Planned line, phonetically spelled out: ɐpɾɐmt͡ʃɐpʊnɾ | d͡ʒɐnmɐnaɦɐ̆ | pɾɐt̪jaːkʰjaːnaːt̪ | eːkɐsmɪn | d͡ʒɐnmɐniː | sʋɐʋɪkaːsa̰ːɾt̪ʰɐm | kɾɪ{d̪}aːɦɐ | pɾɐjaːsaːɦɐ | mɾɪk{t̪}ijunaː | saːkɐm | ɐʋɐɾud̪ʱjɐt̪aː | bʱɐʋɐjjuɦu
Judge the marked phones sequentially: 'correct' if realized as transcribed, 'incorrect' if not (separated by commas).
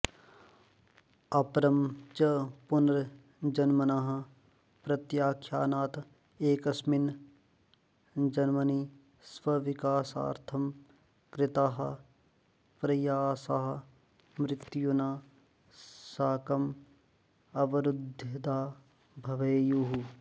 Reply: incorrect, correct